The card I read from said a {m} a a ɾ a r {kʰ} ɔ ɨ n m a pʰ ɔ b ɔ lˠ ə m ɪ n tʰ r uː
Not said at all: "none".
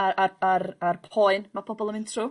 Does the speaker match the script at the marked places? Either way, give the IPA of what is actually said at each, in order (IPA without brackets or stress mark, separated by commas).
none, pʰ